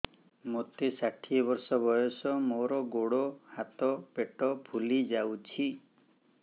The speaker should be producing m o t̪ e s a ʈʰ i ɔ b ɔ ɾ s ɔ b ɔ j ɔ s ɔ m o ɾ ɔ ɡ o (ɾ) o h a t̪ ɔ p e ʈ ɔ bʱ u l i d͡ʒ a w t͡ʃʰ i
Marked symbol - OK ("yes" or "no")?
no